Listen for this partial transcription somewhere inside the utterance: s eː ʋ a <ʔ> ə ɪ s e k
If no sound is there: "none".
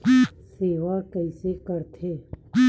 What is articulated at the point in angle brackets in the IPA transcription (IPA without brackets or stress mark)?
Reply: k